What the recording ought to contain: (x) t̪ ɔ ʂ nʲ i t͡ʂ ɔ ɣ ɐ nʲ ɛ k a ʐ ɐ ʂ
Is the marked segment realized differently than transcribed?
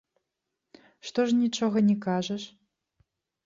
yes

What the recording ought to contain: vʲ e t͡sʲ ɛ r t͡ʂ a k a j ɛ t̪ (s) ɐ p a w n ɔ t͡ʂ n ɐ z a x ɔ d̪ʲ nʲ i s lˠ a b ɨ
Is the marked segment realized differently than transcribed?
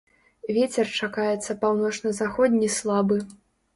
yes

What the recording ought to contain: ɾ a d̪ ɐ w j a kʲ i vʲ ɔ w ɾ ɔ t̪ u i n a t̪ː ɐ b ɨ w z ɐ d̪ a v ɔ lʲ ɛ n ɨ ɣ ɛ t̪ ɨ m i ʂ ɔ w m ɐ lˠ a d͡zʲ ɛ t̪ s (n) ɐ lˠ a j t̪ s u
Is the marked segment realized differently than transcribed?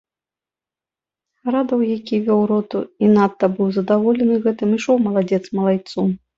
yes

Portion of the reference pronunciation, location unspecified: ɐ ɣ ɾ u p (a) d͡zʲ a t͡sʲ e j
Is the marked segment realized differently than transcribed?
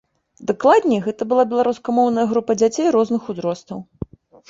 yes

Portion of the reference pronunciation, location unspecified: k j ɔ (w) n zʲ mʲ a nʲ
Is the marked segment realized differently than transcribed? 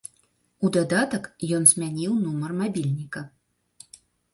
yes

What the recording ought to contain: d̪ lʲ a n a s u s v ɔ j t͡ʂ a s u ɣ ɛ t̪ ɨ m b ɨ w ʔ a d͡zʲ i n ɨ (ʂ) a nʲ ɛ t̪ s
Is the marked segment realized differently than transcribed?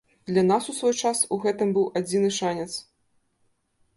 no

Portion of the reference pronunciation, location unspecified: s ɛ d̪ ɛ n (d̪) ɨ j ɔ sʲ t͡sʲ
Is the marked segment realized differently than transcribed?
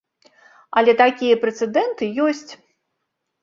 yes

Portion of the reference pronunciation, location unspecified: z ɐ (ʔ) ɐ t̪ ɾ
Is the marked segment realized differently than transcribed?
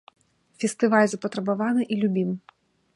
yes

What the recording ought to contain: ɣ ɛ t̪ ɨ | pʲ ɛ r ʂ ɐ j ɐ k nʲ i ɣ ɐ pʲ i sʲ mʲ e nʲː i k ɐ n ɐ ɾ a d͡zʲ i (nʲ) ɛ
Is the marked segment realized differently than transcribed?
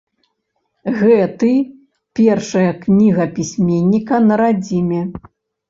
yes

